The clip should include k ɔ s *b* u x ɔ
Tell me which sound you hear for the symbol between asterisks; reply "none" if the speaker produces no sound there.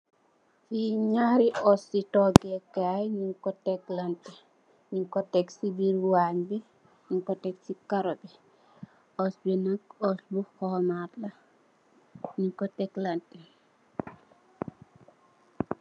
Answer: b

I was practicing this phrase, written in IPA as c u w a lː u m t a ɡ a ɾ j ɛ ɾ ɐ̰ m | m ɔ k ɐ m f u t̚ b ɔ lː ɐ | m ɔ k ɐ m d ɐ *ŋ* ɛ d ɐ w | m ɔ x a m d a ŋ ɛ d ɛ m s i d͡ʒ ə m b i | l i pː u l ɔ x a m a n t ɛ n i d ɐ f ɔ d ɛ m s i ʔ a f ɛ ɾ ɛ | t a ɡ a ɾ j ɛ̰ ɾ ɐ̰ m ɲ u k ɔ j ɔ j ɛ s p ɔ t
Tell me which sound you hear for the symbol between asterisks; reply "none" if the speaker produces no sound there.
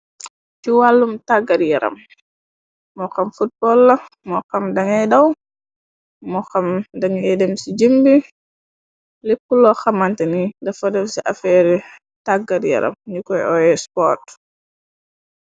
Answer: ŋ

